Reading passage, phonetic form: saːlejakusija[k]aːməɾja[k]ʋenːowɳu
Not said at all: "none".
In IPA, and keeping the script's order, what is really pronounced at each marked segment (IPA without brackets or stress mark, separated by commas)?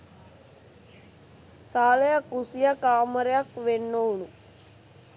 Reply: k, k